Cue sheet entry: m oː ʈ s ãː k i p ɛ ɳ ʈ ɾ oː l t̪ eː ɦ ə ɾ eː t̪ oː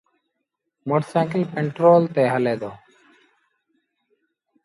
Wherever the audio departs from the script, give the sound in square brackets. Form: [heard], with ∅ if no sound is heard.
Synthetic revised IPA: m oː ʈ s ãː k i p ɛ ɳ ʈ ɾ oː l t̪ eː ɦ ə [l] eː [d̪] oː